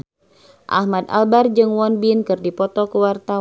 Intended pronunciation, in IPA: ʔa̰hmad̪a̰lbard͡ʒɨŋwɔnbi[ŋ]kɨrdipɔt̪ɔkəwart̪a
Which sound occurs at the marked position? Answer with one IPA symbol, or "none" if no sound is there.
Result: n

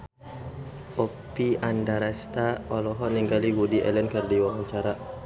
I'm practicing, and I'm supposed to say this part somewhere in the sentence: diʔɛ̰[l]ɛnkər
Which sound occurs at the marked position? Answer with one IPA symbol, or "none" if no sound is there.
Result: l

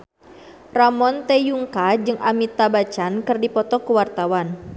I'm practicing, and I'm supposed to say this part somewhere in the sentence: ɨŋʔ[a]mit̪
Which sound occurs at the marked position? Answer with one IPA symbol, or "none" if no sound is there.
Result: a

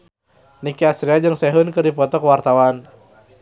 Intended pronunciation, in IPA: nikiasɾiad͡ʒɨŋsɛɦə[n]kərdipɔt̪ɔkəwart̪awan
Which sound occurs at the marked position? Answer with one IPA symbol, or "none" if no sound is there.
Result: n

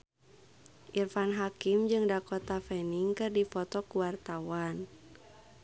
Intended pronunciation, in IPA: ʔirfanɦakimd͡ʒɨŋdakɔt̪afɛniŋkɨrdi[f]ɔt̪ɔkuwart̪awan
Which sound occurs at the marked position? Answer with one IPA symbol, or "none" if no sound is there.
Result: f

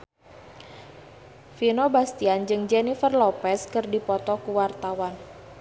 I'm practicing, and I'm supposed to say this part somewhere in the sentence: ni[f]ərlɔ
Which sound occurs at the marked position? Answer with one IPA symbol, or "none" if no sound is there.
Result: f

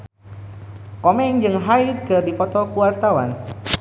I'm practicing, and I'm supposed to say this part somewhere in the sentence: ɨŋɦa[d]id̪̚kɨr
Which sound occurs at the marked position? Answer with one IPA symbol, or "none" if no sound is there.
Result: none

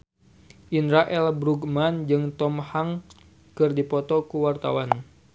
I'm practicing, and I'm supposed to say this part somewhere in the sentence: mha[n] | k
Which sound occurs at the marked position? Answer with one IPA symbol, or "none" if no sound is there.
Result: ŋ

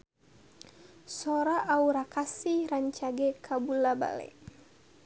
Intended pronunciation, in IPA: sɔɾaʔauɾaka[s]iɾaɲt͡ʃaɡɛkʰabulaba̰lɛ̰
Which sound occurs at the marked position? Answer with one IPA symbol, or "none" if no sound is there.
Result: s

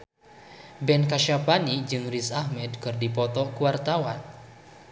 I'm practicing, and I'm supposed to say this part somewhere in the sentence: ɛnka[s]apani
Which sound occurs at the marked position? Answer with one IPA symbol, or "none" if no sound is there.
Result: ʃ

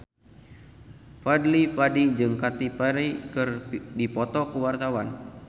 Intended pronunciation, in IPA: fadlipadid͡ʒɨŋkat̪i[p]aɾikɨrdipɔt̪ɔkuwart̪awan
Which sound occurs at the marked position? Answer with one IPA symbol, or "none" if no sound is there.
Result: p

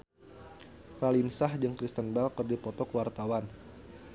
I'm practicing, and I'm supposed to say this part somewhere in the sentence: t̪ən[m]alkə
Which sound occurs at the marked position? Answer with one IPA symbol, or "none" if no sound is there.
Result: b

